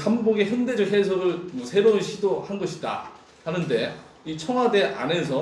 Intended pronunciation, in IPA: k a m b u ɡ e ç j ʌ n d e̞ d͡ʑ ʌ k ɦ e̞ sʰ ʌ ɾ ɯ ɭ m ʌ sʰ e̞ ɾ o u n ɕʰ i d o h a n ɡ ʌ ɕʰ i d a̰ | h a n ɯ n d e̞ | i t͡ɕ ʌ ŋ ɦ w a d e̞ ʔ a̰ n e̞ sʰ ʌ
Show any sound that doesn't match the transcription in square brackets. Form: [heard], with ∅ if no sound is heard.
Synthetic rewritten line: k a m b [o] ɡ e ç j ʌ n d e̞ d͡ʑ ʌ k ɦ e̞ sʰ ʌ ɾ ɯ ɭ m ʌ sʰ e̞ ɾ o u n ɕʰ i d o h a n ɡ ʌ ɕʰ i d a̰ | h a n ɯ n d e̞ | i [t͡ɕʰ] ʌ ŋ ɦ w a d e̞ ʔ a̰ n e̞ sʰ ʌ